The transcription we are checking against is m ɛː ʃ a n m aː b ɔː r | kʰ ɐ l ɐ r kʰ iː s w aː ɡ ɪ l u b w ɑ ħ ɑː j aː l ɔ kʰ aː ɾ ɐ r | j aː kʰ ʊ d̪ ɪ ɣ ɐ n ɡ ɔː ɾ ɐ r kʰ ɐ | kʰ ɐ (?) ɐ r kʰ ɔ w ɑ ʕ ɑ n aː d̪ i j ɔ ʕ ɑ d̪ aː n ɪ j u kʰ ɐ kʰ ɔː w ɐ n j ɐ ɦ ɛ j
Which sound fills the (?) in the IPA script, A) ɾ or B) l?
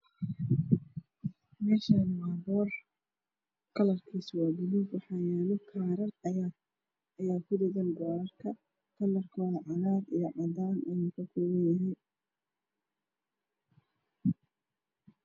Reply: B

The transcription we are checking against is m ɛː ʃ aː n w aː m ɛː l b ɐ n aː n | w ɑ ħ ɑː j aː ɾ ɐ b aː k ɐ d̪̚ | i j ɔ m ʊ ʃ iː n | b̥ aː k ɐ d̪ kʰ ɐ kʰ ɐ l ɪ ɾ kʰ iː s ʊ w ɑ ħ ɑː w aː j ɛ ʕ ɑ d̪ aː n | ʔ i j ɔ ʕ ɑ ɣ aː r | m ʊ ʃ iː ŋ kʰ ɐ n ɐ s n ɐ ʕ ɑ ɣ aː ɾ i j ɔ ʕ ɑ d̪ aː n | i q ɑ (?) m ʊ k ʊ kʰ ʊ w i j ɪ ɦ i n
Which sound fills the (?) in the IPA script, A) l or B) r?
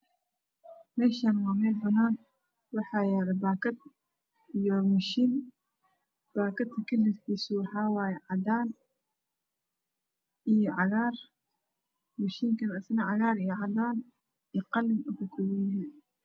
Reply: A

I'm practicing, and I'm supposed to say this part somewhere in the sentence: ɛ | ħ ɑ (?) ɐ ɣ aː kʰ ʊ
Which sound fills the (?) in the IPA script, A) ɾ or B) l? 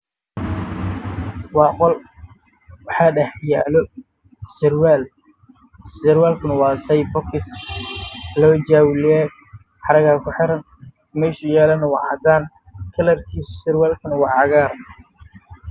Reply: A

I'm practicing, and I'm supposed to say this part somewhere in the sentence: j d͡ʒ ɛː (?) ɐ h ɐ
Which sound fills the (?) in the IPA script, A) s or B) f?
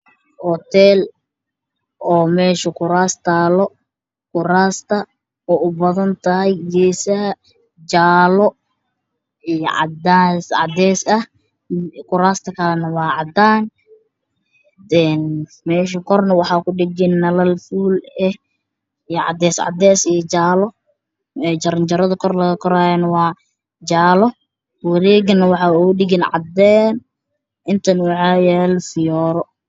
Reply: A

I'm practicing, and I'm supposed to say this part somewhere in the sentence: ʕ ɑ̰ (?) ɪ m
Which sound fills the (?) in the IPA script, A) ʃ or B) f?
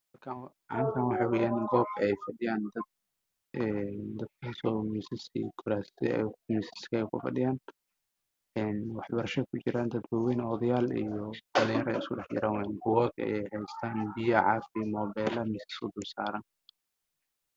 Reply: B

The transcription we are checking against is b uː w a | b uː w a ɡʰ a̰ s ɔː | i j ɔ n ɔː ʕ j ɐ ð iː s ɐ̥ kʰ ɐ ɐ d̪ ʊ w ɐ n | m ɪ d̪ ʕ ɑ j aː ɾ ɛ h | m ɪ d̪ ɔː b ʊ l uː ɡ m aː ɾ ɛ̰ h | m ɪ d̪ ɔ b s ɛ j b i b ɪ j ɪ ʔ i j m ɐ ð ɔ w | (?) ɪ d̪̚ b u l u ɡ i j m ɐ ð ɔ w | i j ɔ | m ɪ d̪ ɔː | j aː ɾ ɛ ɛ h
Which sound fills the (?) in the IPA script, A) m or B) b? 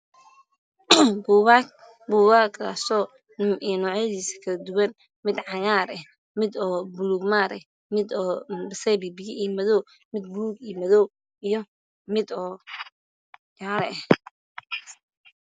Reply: A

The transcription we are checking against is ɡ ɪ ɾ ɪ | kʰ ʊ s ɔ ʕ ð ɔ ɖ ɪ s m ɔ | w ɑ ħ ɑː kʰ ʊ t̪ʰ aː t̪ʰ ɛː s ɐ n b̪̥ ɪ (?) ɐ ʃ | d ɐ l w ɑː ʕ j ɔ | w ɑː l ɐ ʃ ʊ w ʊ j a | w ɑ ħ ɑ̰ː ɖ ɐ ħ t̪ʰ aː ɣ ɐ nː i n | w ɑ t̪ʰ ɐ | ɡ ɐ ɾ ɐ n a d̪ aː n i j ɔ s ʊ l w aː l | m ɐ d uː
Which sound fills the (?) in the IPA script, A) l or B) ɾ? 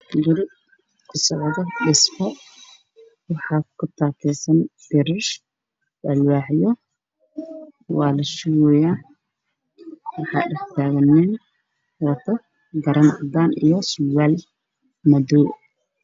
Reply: B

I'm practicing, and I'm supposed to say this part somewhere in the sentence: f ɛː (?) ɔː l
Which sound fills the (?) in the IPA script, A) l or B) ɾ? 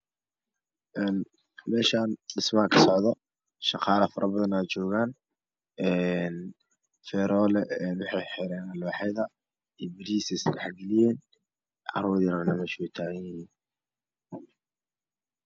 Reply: B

